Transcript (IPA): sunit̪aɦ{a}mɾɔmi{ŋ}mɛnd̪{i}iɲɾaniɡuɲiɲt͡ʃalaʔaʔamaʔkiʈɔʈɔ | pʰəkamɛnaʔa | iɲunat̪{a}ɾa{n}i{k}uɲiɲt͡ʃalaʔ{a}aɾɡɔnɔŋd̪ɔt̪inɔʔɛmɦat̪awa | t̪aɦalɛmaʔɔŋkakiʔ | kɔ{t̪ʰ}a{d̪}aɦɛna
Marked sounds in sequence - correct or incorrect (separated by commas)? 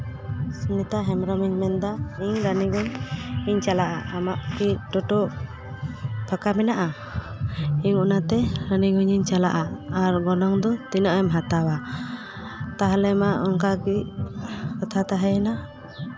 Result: incorrect, incorrect, incorrect, incorrect, correct, incorrect, correct, correct, incorrect